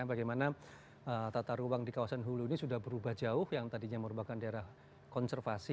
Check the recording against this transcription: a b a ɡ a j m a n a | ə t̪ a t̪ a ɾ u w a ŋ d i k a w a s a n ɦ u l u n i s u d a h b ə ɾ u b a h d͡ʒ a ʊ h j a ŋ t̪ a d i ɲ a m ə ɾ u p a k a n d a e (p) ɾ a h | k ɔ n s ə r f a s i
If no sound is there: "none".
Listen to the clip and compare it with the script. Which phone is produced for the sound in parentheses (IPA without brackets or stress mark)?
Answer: none